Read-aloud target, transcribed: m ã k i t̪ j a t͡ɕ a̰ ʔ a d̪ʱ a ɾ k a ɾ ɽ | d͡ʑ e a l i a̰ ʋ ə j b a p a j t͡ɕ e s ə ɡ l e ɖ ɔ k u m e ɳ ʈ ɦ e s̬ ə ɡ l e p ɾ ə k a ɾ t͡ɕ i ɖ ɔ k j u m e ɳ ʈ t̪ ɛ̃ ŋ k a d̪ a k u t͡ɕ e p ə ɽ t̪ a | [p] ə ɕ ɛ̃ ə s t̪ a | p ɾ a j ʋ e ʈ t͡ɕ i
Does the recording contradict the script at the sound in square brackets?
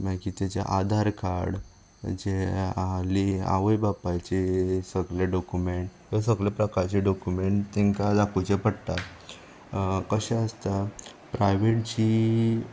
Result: yes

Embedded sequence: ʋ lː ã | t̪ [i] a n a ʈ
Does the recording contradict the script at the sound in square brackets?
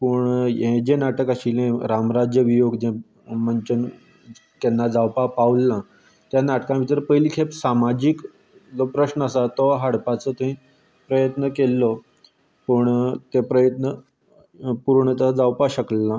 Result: yes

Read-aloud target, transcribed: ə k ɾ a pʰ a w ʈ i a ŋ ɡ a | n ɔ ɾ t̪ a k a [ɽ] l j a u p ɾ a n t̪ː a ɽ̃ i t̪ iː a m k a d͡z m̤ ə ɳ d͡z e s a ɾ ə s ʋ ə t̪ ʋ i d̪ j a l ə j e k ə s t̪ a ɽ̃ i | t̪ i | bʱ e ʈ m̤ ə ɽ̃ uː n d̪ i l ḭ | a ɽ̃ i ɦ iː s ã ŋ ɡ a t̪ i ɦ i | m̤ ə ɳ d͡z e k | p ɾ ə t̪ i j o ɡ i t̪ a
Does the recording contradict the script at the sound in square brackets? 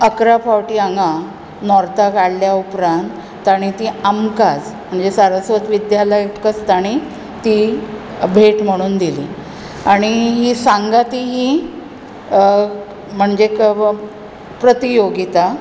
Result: no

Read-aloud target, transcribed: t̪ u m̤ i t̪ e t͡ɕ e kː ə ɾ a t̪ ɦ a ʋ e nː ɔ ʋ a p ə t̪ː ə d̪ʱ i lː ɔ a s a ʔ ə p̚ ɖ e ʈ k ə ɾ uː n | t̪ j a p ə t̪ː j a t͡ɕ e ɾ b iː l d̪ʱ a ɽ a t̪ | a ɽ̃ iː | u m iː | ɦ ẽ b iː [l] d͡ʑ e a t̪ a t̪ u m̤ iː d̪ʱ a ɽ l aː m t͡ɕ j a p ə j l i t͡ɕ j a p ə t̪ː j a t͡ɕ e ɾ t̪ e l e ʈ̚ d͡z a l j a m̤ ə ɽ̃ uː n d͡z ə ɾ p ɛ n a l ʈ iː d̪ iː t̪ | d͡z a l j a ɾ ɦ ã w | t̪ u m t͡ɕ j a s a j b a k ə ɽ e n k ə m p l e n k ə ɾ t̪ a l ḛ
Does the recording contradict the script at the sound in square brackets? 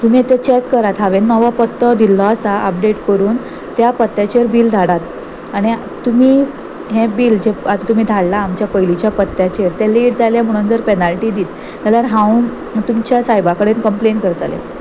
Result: no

